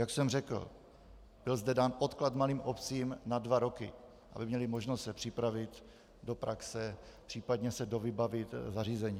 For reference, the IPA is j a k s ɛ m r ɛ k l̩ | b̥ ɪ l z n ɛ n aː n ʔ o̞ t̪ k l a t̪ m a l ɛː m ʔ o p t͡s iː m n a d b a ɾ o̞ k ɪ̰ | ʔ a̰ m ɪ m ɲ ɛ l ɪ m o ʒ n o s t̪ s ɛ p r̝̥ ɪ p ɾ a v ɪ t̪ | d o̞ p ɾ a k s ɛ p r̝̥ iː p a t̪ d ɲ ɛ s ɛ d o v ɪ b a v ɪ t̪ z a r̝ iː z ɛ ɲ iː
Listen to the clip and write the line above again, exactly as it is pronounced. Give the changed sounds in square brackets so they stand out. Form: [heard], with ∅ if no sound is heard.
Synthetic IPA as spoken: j a k s ɛ m r ɛ k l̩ | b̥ ɪ l z [d] ɛ [d] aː n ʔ o̞ t̪ k l a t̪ m a l [iː] m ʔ o p t͡s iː m n a d [v] a ɾ o̞ k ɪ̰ | ʔ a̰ [b] ɪ m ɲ ɛ l ɪ m o ʒ n o s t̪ s ɛ p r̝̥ ɪ p ɾ a v ɪ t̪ | d o̞ p ɾ a k s ɛ p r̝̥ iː p a [∅] d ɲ ɛ s ɛ d o v ɪ b a v ɪ t̪ z a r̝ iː z ɛ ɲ iː